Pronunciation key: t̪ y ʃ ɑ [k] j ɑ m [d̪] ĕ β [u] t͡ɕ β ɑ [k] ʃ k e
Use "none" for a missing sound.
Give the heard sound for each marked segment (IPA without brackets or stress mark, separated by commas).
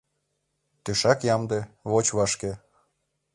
k, d̪, o, none